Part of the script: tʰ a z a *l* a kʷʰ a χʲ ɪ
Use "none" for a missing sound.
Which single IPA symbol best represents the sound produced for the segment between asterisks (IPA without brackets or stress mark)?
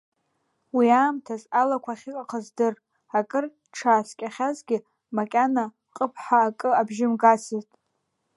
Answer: l